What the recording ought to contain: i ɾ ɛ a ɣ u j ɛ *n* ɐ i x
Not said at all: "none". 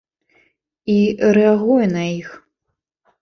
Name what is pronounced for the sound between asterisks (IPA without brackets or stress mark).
n